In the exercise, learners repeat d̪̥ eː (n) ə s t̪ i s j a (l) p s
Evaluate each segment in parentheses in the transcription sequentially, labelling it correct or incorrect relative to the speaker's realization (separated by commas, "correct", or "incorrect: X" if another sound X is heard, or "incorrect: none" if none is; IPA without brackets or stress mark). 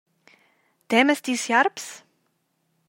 incorrect: m, incorrect: ɾ